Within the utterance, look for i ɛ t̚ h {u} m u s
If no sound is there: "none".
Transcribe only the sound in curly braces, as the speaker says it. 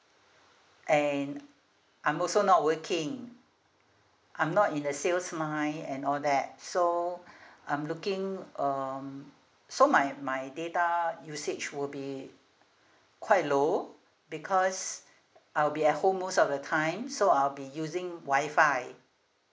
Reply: o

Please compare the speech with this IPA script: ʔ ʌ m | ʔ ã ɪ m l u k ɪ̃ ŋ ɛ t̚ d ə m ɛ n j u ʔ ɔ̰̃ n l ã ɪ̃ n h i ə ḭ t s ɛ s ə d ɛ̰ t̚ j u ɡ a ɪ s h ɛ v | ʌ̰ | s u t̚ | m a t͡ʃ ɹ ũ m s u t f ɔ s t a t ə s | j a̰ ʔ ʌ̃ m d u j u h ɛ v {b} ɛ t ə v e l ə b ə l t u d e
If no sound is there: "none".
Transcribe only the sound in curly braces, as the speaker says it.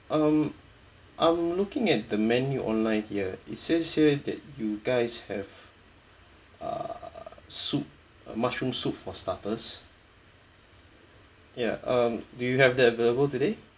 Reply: d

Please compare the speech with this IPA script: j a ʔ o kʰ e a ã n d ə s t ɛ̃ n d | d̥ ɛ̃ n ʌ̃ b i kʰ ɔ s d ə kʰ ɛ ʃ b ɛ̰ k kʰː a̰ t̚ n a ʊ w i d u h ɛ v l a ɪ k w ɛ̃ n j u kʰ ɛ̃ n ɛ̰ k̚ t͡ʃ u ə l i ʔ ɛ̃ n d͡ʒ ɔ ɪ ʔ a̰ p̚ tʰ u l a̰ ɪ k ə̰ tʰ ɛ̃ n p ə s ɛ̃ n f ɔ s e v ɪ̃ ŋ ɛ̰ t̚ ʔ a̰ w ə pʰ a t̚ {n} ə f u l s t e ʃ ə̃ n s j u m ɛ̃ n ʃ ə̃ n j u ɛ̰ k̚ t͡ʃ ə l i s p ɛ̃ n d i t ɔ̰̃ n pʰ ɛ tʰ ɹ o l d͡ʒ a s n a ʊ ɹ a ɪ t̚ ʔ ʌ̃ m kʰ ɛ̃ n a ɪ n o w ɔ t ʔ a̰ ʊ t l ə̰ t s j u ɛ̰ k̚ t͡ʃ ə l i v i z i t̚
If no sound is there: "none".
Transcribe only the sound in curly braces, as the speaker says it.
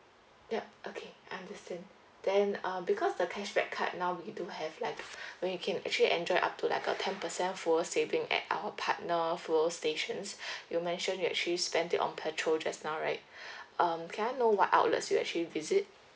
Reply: n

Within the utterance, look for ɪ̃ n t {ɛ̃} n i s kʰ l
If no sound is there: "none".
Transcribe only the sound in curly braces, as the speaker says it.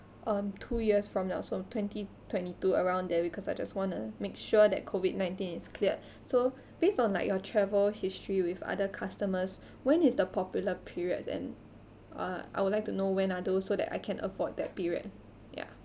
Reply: ĩ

